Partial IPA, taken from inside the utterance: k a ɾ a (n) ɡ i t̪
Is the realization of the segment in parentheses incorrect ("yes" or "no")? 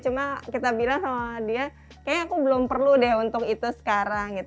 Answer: yes